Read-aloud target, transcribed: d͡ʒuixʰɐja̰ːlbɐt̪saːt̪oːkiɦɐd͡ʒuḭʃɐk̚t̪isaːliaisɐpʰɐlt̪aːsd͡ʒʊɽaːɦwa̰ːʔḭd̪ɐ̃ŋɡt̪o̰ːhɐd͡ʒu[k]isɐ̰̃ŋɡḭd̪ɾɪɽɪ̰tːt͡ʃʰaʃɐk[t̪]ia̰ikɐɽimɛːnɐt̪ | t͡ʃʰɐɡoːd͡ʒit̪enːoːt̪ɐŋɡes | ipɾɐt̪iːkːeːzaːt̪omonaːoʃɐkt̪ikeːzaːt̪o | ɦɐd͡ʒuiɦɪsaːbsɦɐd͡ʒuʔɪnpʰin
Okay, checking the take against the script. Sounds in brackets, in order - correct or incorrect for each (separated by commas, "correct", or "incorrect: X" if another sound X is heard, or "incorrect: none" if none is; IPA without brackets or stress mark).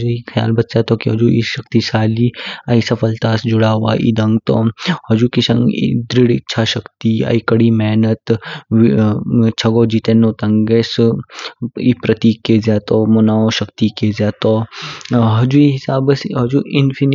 correct, correct